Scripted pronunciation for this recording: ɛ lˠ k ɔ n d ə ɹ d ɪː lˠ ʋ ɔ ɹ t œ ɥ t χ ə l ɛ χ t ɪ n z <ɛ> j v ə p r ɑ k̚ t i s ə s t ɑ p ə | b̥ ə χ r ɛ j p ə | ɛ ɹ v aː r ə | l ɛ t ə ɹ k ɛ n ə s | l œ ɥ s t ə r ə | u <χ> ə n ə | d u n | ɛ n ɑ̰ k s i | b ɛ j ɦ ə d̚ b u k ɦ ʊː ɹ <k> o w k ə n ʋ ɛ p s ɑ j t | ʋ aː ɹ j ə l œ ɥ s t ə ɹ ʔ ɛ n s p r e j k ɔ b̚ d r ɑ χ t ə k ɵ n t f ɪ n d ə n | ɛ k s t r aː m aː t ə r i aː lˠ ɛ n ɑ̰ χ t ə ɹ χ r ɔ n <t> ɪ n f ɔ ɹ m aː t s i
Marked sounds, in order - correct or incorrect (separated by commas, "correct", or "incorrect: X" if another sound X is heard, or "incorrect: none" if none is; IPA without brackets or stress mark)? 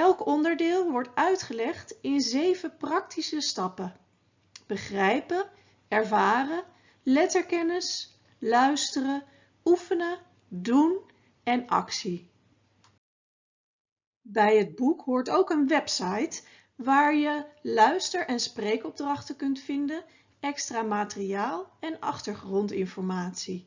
incorrect: e, incorrect: f, incorrect: t, correct